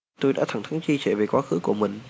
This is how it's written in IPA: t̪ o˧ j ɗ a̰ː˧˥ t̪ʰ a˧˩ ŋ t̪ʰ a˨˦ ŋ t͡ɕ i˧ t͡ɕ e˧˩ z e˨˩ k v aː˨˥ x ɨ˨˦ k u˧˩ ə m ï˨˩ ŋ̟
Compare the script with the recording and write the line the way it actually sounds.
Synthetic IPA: t̪ o˧ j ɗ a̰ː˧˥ t̪ʰ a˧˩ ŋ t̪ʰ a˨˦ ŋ t͡ɕ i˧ t͡ɕ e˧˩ v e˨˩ k w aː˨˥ x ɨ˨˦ k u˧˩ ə m ï˨˩ ŋ̟